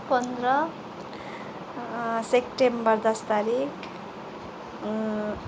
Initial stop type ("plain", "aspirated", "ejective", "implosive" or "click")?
plain